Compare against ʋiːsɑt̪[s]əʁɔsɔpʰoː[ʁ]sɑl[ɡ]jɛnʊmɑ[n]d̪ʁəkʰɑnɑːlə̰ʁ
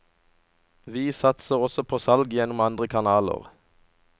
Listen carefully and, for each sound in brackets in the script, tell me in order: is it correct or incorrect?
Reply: correct, incorrect, correct, correct

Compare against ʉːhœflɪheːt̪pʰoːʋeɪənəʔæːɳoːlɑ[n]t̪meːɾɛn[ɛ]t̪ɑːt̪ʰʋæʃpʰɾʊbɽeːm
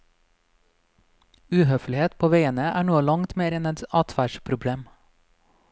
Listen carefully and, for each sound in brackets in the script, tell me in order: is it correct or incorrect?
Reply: incorrect, correct

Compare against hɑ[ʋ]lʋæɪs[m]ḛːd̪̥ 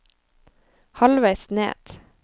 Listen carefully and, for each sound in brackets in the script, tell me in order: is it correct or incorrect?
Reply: incorrect, incorrect

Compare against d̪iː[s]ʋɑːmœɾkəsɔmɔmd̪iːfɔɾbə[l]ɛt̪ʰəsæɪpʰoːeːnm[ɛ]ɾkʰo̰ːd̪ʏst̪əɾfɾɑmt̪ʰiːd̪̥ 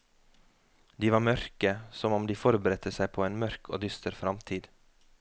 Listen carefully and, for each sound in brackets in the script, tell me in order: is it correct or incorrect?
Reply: incorrect, incorrect, incorrect

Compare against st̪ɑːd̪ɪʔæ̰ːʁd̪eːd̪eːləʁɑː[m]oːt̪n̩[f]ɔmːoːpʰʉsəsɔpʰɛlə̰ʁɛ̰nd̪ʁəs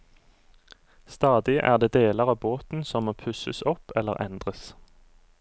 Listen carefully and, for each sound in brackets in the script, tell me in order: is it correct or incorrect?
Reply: incorrect, incorrect

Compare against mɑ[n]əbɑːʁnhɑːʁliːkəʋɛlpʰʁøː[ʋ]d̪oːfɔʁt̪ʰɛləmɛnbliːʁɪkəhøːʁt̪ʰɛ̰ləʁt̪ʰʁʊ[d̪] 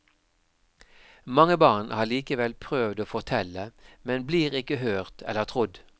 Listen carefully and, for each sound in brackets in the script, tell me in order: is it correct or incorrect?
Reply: incorrect, correct, correct

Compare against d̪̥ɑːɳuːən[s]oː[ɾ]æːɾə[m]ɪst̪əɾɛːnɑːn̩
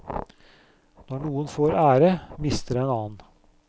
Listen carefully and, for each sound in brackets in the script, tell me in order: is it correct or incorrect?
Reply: incorrect, correct, correct

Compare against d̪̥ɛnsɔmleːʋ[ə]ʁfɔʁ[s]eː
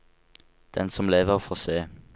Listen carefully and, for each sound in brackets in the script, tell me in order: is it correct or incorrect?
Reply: correct, correct

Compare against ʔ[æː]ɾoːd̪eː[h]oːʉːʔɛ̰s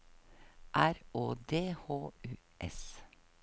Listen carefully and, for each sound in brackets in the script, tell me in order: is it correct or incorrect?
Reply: incorrect, correct

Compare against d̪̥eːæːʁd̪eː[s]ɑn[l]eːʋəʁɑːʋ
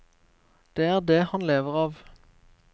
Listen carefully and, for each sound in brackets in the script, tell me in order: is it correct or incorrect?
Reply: incorrect, correct

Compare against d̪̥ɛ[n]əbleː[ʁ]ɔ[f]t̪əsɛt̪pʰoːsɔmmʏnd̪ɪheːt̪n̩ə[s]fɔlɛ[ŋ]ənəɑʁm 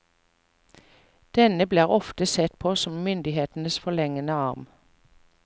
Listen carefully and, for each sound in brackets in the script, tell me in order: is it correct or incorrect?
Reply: correct, correct, correct, correct, correct

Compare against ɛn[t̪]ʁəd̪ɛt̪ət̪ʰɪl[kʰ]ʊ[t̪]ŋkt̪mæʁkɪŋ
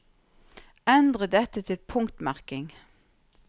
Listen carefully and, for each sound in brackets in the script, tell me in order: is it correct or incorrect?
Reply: incorrect, incorrect, incorrect

